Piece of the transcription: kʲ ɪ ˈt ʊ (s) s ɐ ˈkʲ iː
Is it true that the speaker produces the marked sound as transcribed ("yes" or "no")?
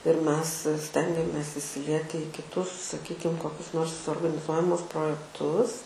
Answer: yes